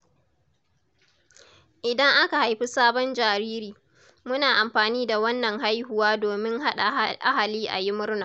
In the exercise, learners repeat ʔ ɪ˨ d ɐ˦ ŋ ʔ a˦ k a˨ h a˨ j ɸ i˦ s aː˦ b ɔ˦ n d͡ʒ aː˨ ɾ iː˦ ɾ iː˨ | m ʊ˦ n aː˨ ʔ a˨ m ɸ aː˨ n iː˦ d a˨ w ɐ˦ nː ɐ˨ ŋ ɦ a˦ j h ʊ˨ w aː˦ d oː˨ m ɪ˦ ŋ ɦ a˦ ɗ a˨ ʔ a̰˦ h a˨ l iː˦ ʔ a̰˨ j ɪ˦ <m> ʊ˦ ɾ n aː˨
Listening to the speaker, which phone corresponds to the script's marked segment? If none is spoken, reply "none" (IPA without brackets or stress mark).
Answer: m